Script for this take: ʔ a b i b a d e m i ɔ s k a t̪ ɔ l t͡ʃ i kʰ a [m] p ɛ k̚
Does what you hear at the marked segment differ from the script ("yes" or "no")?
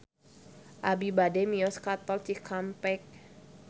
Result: no